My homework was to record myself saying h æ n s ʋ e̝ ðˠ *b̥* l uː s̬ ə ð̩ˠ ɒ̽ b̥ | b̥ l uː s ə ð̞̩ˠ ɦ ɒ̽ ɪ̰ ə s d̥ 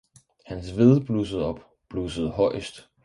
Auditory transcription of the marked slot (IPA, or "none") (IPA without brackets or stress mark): b̥